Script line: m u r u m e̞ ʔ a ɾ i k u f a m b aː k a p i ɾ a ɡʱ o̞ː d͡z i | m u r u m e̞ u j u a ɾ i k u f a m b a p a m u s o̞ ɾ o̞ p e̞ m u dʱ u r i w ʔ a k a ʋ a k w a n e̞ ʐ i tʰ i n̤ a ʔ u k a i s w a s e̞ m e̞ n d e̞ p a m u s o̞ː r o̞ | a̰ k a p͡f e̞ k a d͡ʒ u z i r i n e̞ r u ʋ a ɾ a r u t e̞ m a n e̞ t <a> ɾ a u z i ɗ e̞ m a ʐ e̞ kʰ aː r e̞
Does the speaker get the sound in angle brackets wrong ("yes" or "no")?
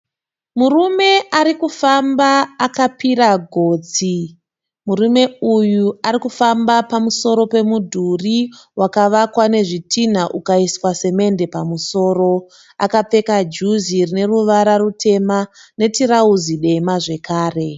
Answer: yes